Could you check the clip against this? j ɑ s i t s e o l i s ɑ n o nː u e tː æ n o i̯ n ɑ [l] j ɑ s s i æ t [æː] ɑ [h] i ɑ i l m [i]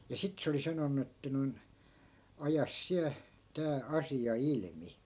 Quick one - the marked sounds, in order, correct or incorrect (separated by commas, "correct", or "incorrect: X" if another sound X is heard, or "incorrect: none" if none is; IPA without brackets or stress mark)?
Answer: incorrect: none, correct, incorrect: s, correct